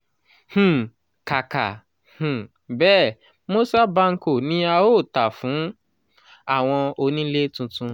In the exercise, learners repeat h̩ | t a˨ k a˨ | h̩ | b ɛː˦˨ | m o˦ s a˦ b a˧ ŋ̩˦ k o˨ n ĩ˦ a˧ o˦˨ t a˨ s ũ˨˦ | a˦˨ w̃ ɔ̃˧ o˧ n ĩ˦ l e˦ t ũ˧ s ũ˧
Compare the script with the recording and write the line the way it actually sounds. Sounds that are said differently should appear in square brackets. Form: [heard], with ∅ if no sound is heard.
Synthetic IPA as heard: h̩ | [k] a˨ k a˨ | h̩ | b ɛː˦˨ | m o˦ s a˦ b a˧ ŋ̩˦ k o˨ n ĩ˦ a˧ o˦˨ t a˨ [f] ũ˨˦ | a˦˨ w̃ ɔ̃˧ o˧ n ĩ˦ l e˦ t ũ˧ [t] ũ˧